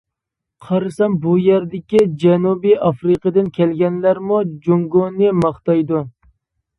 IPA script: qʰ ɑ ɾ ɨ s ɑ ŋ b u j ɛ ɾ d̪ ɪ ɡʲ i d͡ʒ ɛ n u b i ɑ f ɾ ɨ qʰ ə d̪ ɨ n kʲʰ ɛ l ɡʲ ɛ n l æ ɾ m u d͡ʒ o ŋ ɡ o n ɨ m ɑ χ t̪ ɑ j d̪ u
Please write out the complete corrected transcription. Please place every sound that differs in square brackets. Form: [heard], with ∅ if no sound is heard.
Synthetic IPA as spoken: qʰ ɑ ɾ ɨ s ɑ [m] b u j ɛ ɾ d̪ ɪ [kʲ] i d͡ʒ ɛ n u b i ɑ f ɾ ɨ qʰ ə d̪ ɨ n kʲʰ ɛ l ɡʲ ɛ n l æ ɾ m u d͡ʒ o ŋ ɡ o n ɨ m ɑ χ t̪ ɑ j d̪ u